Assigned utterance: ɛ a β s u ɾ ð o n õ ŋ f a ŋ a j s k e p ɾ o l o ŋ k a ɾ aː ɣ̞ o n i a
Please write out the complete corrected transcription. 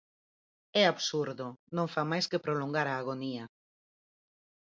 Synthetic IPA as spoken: ɛ a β s u ɾ ð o n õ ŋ f a m a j s k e p ɾ o l o ŋ ɡ a ɾ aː ɣ̞ o n i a